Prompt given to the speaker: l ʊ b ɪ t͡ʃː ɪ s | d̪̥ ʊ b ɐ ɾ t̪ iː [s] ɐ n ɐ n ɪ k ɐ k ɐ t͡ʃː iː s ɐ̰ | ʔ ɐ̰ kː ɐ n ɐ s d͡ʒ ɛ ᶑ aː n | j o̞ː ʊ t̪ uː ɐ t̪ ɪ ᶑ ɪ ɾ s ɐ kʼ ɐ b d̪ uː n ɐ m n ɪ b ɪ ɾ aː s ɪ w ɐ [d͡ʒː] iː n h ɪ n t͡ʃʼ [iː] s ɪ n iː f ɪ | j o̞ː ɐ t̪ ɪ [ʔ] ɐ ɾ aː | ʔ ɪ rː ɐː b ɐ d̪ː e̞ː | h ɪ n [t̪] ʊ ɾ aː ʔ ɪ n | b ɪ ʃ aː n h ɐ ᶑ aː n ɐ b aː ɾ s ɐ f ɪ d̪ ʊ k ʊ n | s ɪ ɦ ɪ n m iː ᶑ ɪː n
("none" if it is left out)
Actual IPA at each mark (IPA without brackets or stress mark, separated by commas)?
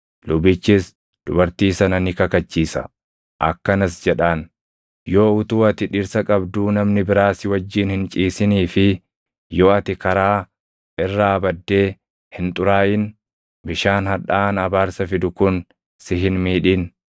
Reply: s, d͡ʒː, iː, k, t̪ʼ